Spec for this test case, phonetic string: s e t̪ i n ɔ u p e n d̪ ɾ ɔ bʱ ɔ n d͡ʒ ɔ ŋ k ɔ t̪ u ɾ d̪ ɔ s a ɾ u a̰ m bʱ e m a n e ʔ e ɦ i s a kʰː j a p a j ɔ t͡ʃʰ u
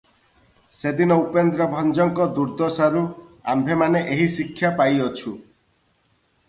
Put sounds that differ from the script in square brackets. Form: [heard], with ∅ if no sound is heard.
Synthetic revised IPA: s e [d̪] i n ɔ u p e n d̪ ɾ ɔ bʱ ɔ n d͡ʒ ɔ ŋ k ɔ [d̪] u ɾ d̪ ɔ s a ɾ u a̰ m bʱ e m a n e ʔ e ɦ i s [i] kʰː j a p a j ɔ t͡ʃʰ u